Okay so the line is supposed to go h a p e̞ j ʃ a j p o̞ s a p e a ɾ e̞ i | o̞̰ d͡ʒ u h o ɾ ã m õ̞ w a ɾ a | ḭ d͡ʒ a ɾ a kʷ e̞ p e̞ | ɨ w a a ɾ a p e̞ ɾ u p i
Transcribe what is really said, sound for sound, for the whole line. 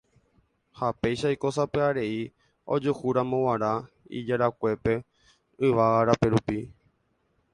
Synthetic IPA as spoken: h a p e̞ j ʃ a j k o̞ s a p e a ɾ e̞ i | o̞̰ d͡ʒ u h u ɾ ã m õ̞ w a ɾ a | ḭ d͡ʒ a ɾ a kʷ e̞ p e̞ | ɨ ʋ a a ɾ a p e̞ ɾ u p i